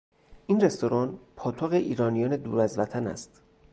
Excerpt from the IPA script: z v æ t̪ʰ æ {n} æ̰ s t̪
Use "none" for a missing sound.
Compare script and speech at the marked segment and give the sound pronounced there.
n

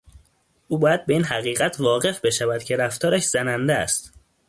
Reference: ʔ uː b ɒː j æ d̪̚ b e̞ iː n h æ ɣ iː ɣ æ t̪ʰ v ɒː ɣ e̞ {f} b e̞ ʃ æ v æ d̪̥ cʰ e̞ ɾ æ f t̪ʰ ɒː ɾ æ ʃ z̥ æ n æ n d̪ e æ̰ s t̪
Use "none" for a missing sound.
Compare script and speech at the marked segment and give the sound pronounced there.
f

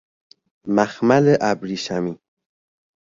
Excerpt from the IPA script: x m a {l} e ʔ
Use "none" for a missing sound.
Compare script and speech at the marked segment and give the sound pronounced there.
l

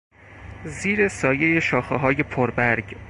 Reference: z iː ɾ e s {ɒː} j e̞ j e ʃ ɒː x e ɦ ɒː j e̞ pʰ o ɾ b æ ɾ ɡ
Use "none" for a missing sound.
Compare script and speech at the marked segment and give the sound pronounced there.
ɒː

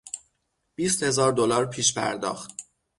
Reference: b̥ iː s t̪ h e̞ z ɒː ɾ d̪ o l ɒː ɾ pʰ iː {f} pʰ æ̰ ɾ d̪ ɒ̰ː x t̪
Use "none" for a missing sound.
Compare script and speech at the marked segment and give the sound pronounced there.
ʃ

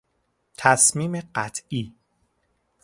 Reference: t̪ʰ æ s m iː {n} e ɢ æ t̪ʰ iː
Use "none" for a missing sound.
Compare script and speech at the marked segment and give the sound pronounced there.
m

